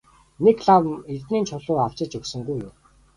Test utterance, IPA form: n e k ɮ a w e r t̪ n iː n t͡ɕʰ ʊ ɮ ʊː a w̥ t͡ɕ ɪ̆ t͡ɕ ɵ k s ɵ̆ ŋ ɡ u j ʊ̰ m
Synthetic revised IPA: n e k ɮ a w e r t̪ n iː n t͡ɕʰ ʊ ɮ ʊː a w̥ t͡ɕ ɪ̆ t͡ɕ ɵ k s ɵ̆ ŋ ɡ u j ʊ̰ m